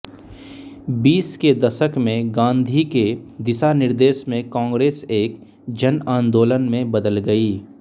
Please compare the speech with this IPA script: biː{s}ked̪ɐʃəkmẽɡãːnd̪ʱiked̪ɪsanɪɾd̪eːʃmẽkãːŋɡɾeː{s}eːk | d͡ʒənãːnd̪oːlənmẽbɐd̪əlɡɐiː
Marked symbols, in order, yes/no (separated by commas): yes, yes